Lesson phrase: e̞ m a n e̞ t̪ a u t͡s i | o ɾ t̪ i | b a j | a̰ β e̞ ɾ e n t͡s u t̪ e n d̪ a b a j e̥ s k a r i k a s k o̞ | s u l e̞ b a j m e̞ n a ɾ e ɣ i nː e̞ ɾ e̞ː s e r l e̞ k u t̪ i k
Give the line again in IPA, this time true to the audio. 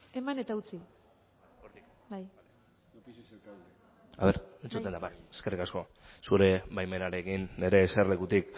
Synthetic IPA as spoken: e̞ m a n e̞ t̪ a u t͡s i | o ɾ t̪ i | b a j | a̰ β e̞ ɾ e n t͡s u t̪ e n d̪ a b a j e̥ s k e r i k a s k o̞ | s u ɾ e̞ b a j m e̞ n a ɾ e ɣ i nː e̞ ɾ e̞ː s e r l e̞ k u t̪ i k